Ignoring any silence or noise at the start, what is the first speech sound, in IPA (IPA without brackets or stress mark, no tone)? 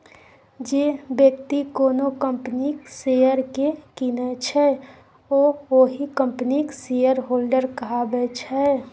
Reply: d͡ʒ